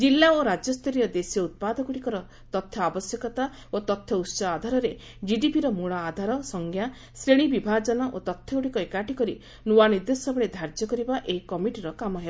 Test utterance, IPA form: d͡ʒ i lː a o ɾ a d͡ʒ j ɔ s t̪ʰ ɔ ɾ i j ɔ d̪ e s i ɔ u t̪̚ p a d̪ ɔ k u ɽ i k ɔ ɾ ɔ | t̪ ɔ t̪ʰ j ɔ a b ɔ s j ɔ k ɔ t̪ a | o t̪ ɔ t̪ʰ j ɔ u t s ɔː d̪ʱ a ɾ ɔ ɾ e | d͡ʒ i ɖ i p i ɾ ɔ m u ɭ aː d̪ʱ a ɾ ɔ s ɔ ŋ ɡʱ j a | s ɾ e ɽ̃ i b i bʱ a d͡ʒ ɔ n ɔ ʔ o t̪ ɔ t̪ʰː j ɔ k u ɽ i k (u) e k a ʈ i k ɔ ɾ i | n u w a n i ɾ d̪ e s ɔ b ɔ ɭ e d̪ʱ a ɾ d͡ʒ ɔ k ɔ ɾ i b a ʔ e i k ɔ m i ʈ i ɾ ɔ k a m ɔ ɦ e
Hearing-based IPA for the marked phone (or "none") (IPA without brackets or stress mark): ɔ